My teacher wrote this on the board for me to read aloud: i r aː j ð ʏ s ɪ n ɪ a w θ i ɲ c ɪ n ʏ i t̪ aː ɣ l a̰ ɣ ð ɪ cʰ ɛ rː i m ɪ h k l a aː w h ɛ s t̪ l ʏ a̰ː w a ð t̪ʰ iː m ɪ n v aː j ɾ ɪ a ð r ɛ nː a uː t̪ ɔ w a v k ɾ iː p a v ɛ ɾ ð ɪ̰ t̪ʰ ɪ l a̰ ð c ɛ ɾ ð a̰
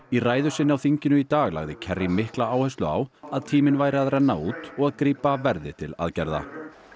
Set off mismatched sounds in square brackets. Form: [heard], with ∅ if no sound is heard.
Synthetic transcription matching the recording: i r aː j ð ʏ s ɪ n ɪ a w θ i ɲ c ɪ n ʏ i t̪ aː ɣ l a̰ ɣ ð ɪ cʰ ɛ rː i m ɪ h k l a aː w h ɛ s t̪ l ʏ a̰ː w a ð t̪ʰ iː m ɪ n v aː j ɾ ɪ a ð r ɛ nː a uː t̪ ɔ [ɣ] a [ð] k ɾ iː p a v ɛ ɾ ð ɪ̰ t̪ʰ ɪ l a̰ ð c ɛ ɾ ð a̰